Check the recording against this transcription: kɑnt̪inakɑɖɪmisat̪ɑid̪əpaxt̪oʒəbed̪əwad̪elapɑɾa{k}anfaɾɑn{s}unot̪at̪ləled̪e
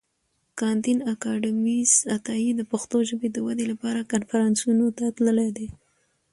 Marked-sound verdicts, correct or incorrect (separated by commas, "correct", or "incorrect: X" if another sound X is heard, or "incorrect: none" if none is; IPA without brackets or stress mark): correct, correct